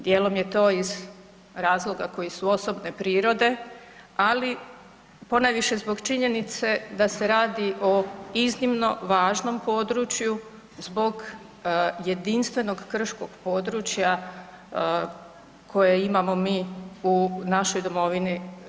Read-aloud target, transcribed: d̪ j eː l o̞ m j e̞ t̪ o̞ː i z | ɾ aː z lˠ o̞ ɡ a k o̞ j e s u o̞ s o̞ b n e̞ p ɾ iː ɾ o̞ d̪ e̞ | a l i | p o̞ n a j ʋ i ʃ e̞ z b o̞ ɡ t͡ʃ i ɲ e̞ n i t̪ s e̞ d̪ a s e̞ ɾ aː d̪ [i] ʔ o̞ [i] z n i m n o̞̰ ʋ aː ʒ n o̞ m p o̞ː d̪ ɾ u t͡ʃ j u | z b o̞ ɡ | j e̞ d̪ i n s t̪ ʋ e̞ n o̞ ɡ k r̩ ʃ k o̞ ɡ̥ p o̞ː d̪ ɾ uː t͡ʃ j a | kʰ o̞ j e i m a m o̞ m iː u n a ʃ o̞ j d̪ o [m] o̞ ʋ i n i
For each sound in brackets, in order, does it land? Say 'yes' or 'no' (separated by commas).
yes, yes, yes